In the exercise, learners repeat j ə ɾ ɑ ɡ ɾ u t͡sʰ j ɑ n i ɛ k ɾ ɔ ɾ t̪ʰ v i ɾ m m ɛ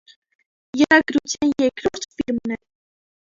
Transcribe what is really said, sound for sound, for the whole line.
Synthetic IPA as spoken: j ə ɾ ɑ ɡ ɾ u t͡sʰ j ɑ n j ɛ k ɾ ɔ ɾ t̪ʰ f i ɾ m n ɛ